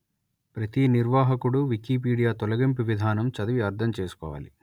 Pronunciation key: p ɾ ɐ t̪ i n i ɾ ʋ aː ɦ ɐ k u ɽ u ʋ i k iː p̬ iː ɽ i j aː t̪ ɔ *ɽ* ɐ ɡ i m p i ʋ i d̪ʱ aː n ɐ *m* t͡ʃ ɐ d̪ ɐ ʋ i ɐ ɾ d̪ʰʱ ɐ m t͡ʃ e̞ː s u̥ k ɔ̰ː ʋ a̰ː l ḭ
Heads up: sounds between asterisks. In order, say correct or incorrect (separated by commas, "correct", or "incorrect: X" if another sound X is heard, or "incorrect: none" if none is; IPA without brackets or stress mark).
incorrect: l, correct